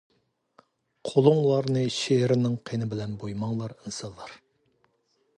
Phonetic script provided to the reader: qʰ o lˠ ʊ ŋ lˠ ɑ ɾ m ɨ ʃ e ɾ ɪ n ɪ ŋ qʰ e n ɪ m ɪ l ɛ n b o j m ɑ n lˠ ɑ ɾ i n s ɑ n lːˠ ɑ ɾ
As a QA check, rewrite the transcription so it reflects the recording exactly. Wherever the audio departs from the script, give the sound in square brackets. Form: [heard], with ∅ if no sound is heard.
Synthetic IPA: qʰ o lˠ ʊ ŋ lˠ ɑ ɾ [n] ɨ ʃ e ɾ ɪ n ɪ ŋ qʰ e n ɪ [b] ɪ l ɛ n b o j m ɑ [ŋ] lˠ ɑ ɾ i n s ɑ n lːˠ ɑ ɾ

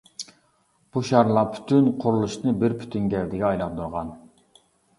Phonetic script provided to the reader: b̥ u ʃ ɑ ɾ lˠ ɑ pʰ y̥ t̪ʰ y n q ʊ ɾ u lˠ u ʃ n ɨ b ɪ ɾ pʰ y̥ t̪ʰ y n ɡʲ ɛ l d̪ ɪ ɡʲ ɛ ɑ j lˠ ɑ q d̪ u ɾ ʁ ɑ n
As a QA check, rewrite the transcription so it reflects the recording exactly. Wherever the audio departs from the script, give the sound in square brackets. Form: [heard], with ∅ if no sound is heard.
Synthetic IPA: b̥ u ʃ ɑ ɾ lˠ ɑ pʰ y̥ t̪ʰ y n [qʰ] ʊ ɾ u lˠ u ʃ n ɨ b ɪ ɾ pʰ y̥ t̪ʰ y n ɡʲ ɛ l d̪ ɪ ɡʲ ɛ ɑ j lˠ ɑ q d̪ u ɾ ʁ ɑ n

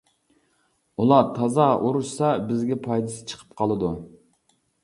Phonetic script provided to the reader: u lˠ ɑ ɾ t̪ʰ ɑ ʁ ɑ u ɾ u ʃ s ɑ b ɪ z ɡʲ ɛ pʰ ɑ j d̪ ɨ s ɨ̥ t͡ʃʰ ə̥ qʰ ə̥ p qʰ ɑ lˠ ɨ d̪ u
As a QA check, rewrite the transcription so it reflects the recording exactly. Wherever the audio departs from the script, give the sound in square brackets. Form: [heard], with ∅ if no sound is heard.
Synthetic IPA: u lˠ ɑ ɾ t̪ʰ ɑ [z] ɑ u ɾ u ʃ s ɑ b ɪ z ɡʲ ɛ pʰ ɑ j d̪ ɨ s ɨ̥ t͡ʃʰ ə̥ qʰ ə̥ p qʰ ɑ lˠ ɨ d̪ u

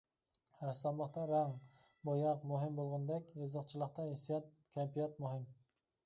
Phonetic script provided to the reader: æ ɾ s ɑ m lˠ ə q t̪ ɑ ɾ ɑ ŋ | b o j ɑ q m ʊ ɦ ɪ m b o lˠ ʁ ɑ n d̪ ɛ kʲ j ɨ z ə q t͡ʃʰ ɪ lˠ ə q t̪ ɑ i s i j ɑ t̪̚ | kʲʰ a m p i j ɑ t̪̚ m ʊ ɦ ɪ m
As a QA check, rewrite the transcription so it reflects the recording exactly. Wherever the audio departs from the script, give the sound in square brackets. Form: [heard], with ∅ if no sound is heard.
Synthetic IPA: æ ɾ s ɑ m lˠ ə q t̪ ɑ ɾ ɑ ŋ | b o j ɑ q m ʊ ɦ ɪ m b o lˠ ʁ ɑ n d̪ ɛ kʲ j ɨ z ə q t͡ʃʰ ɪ lˠ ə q t̪ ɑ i s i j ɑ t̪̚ | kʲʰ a m p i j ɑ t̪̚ m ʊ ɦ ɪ m

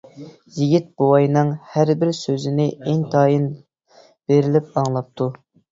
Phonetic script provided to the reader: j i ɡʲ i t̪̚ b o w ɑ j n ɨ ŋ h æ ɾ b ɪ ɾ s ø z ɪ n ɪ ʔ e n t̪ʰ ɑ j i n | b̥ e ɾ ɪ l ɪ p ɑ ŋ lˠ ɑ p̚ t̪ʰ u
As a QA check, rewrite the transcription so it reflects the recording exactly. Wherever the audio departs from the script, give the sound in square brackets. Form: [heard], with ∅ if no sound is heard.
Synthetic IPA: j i ɡʲ i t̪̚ b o w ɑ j n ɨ ŋ h æ ɾ b ɪ ɾ s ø z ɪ n ɪ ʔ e [ŋ] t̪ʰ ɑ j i n | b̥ e ɾ ɪ l ɪ p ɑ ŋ lˠ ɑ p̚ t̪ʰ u

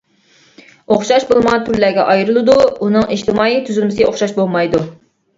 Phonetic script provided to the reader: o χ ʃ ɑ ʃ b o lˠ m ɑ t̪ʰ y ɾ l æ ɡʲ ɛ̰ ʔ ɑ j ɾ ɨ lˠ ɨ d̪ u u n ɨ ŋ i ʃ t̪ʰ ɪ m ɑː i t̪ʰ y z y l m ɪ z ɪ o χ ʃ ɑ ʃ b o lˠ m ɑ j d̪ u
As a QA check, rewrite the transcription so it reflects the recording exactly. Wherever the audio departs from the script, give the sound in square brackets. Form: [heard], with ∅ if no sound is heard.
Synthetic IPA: o χ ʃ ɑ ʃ b o lˠ m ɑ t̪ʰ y ɾ l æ ɡʲ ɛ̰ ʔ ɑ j ɾ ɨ lˠ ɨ d̪ u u n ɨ ŋ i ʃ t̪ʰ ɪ m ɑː i t̪ʰ y z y l m ɪ [s] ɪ o χ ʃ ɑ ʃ b o lˠ m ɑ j d̪ u

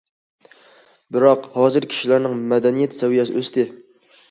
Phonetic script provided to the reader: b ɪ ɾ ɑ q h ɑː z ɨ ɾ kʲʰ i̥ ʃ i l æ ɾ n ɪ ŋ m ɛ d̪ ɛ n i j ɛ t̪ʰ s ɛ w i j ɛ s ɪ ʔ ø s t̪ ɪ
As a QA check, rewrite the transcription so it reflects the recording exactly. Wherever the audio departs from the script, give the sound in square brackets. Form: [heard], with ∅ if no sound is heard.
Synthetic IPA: b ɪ ɾ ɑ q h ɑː z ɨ ɾ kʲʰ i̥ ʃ i l æ ɾ n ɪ ŋ m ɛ d̪ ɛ n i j ɛ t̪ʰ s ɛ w i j ɛ s ɪ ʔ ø s t̪ ɪ

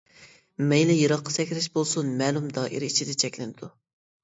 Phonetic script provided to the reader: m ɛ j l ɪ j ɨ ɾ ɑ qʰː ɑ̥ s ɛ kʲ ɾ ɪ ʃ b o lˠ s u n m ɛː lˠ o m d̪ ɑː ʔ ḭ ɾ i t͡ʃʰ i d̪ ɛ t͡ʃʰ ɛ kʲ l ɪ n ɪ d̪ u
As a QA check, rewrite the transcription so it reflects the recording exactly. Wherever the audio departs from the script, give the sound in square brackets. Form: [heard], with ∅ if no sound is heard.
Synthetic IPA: m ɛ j l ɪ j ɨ ɾ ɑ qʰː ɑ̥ s ɛ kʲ ɾ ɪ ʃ b o lˠ s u n m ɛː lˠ [u] m d̪ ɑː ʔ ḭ ɾ i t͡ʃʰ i d̪ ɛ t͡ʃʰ ɛ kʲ l ɪ n ɪ d̪ u

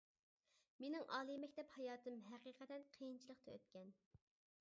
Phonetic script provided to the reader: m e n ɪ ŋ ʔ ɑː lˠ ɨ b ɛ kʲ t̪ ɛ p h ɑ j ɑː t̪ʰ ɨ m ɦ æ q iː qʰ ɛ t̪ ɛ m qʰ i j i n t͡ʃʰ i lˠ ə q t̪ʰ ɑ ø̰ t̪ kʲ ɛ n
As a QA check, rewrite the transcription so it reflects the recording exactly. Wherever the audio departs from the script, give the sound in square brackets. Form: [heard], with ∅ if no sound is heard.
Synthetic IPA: m e n ɪ ŋ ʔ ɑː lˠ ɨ [m] ɛ kʲ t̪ ɛ p h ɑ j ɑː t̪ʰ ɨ m ɦ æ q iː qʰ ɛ t̪ ɛ [n] qʰ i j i n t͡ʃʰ i lˠ ə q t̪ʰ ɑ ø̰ t̪ kʲ ɛ n

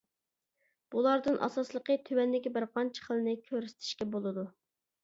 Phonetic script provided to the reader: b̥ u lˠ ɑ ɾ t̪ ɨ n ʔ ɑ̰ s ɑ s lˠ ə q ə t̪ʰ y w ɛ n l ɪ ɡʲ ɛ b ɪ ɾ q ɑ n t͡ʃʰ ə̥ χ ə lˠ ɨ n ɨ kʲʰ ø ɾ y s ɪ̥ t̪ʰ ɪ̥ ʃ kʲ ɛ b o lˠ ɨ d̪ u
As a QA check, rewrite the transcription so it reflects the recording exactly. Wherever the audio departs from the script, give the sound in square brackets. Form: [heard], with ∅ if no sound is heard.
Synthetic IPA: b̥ u lˠ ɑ ɾ [d̪] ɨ n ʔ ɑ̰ s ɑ s lˠ ə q ə t̪ʰ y w ɛ n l ɪ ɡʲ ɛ b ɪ ɾ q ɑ n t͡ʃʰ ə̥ χ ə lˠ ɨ n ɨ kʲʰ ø ɾ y s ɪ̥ t̪ʰ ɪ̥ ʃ kʲ ɛ b o lˠ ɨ d̪ u

